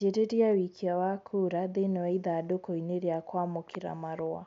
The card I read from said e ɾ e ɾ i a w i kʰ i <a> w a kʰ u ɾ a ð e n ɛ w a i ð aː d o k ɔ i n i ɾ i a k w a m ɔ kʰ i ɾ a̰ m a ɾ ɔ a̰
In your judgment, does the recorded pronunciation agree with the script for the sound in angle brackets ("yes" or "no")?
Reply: yes